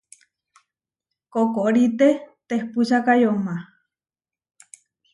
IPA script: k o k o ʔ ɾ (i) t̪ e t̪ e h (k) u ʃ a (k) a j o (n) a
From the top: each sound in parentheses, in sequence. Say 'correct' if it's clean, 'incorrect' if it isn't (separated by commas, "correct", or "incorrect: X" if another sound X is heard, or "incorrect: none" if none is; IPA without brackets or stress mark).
correct, incorrect: p, correct, incorrect: m